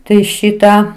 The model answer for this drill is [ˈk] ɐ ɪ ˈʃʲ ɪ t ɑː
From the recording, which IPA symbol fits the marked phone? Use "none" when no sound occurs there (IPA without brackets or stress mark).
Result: t